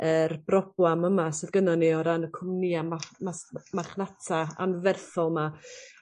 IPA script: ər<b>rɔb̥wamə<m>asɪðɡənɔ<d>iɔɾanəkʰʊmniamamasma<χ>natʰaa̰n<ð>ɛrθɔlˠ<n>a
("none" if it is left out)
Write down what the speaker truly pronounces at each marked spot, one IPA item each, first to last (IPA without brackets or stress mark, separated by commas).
b, m, n, χ, v, m